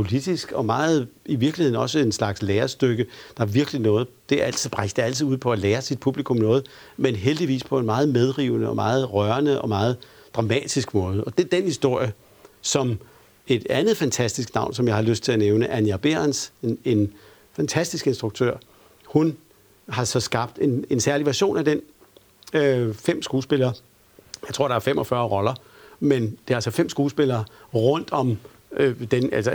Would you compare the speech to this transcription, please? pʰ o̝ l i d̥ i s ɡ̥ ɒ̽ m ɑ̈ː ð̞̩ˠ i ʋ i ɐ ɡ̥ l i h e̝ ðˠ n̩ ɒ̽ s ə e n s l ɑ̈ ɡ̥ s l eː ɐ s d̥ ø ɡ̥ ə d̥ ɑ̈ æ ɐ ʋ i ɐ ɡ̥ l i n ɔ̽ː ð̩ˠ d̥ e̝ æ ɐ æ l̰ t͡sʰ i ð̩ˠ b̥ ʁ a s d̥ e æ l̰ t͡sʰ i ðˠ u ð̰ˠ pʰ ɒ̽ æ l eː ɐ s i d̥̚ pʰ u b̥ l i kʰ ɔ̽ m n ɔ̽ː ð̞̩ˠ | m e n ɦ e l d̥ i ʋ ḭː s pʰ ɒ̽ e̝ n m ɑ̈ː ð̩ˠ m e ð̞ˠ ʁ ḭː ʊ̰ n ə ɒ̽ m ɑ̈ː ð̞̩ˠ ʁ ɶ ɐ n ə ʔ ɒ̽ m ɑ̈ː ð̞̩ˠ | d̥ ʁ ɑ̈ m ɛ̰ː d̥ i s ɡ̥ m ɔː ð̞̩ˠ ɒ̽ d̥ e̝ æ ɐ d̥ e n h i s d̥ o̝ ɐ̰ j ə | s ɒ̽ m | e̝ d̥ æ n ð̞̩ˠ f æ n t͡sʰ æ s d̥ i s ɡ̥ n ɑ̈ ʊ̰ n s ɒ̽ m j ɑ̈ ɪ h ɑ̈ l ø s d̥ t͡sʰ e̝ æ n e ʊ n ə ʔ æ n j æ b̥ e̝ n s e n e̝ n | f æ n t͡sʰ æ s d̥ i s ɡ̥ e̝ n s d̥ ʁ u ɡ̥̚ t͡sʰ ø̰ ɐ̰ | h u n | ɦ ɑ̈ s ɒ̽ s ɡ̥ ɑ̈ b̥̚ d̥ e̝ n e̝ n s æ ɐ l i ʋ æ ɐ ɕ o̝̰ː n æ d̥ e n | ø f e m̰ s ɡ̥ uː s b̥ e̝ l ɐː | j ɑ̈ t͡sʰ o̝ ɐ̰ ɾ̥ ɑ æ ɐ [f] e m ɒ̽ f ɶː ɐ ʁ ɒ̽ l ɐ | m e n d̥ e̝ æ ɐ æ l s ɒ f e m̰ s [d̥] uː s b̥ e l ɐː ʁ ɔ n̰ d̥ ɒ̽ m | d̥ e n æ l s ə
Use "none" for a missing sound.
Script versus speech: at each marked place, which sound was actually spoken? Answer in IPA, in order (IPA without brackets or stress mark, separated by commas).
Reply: f, ɡ̥